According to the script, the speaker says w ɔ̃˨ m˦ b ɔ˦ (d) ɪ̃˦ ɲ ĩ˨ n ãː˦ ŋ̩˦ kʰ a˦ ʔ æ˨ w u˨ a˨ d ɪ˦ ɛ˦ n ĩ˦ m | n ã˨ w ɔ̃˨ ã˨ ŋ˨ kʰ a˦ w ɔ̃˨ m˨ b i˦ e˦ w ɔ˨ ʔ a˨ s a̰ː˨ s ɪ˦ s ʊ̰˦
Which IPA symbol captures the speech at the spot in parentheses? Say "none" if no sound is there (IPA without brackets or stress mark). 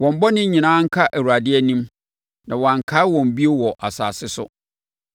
n